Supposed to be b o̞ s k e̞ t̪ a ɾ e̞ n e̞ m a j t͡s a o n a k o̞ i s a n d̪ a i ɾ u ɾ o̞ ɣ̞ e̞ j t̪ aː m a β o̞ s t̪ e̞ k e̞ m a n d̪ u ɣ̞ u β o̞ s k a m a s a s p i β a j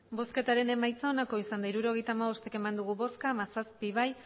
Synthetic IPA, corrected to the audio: b o̞ s k e̞ t̪ a ɾ e̞ n e̞ m a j t͡s a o n a k o̞ i s a n d̪ a i ɾ u ɾ o̞ ɣ̞ e̞ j t̪ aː m a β o̞ s t̪ e̞ k e̞ m a n d̪ u ɣ̞ u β o̞ s k a m a s a s p i β a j